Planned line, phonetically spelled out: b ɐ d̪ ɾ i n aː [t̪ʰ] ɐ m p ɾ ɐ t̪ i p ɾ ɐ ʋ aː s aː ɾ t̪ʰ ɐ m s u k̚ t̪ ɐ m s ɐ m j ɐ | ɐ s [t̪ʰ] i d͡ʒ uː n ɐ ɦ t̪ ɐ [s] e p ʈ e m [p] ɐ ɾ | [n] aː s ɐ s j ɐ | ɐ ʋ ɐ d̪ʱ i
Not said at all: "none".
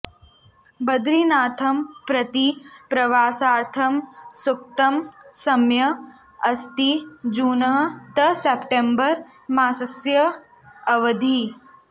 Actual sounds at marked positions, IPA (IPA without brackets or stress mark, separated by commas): t̪ʰ, t̪, s, b, m